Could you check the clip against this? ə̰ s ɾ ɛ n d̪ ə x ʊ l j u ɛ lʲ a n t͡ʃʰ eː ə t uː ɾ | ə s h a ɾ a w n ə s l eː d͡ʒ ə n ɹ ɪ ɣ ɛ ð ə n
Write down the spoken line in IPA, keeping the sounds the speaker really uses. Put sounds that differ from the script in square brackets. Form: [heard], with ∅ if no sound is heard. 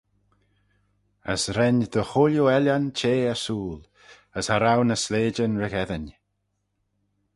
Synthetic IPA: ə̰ s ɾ ɛ n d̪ ə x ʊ l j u ɛ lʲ a n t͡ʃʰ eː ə [s] uː [l] | ə s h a ɾ a w n ə s l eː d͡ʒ ə n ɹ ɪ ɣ ɛ ð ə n